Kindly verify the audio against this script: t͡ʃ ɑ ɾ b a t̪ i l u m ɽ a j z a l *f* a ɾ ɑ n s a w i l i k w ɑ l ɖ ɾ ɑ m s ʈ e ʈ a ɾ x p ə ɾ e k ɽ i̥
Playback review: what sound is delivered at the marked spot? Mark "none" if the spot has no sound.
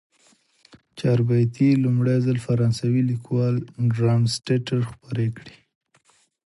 f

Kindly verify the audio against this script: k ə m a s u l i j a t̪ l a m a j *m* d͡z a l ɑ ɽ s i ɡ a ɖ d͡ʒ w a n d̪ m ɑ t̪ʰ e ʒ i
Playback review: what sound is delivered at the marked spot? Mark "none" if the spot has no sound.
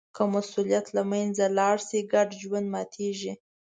n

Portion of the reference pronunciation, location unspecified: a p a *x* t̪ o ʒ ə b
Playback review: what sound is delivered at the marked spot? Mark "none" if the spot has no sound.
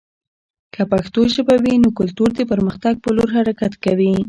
x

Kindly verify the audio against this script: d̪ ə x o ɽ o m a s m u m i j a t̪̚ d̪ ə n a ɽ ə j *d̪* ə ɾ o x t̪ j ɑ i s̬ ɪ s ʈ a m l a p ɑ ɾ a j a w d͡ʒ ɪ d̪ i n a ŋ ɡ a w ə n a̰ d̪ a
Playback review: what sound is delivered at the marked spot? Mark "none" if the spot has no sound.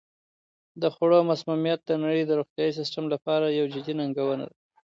d̪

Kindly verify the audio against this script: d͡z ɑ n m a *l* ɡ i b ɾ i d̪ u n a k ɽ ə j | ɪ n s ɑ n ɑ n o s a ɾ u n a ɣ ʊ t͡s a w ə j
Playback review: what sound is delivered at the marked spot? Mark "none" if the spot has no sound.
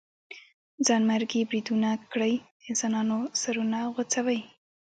ɾ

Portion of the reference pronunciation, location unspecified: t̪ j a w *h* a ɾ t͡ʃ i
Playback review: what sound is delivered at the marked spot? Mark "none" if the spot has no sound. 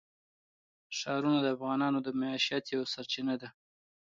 s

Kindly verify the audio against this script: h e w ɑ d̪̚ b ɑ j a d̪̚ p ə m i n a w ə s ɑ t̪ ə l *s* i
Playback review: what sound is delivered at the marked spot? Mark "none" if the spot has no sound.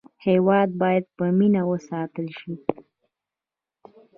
ʃ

